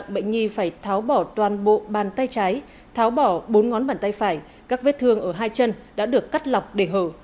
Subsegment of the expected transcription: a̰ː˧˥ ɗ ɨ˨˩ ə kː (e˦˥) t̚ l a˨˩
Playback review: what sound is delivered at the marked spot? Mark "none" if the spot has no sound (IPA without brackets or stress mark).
a˦˥